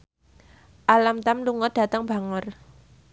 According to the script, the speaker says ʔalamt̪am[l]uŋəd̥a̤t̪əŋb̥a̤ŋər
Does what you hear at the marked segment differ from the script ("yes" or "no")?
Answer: no